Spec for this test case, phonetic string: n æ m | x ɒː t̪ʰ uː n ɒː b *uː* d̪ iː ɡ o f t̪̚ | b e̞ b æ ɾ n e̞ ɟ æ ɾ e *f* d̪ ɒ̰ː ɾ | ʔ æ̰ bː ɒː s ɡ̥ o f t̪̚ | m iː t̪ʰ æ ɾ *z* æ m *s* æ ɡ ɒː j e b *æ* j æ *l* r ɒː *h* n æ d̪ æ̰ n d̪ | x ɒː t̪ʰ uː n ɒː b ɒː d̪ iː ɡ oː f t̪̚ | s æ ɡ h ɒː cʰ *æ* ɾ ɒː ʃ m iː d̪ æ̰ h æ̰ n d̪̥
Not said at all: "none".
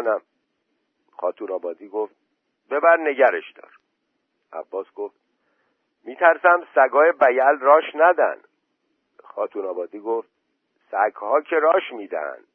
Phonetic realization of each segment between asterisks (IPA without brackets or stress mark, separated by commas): ɒː, ʃ, s, s, æ, l, ʃ, e